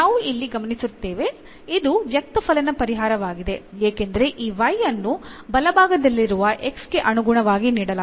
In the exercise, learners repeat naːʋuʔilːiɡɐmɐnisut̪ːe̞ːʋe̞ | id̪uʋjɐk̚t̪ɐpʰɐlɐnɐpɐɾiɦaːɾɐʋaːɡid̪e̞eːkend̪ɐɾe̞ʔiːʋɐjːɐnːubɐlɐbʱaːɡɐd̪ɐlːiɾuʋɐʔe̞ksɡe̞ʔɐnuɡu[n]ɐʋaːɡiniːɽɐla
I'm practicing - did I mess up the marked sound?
yes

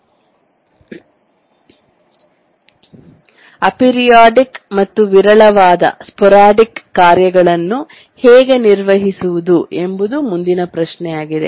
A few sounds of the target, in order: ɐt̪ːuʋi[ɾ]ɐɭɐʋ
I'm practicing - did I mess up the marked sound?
no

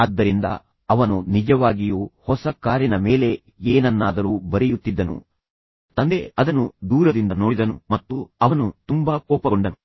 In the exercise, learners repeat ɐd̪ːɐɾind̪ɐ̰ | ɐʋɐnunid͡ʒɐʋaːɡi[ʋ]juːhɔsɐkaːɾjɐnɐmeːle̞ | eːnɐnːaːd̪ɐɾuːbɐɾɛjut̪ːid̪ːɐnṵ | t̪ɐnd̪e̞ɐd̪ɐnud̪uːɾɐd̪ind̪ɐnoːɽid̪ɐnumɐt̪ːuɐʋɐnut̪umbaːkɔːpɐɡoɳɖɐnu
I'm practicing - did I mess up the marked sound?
yes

